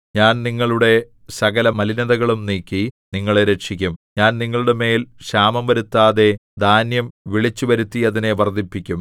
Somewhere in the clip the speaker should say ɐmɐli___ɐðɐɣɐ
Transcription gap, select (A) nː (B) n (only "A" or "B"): B